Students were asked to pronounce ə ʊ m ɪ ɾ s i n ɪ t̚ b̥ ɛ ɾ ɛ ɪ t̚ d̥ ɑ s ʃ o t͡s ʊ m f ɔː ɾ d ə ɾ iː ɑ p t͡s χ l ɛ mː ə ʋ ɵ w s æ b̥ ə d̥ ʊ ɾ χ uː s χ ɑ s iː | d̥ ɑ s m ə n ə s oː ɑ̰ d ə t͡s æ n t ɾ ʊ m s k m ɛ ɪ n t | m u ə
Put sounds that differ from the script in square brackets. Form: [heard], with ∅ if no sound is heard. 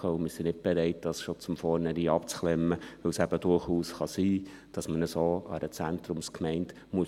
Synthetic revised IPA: ə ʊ m ɪ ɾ s i n ɪ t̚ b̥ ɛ ɾ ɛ ɪ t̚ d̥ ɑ s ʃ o t͡s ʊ m f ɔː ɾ [n] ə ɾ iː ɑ p t͡s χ l ɛ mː ə ʋ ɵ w s æ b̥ ə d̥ ʊ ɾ χ uː s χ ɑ s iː | d̥ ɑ s m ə n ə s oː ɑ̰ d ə t͡s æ n t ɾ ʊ m s k m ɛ ɪ n t | m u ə